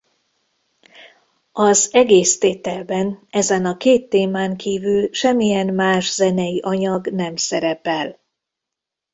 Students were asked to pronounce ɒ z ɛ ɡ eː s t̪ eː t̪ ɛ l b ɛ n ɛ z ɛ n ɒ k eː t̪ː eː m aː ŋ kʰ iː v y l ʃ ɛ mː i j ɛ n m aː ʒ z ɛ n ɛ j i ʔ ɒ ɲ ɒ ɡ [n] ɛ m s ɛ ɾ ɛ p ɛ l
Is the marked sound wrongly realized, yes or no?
no